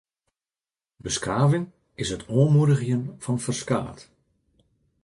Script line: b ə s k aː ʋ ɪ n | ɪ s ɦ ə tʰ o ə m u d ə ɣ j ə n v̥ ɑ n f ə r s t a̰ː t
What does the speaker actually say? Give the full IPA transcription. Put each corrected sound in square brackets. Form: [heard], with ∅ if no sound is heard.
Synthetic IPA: b ə s k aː [v] ɪ [ŋ] | ɪ s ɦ ə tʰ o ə m u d ə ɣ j ə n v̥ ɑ n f ə r s [k] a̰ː t